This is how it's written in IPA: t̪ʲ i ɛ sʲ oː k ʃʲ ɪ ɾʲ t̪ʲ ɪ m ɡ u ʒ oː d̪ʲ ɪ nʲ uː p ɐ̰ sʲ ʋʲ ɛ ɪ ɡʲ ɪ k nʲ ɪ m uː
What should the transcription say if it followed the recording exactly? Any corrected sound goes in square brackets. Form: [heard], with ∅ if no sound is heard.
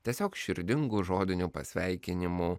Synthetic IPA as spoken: t̪ʲ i ɛ sʲ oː k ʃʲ ɪ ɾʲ [d̪ʲ] ɪ [ŋ] ɡ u ʒ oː d̪ʲ ɪ nʲ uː p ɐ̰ sʲ ʋʲ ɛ ɪ [kʲ] ɪ [∅] nʲ ɪ m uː